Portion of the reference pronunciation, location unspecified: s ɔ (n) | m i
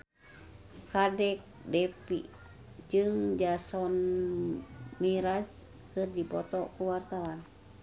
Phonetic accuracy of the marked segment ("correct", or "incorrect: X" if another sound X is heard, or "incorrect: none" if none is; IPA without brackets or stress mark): correct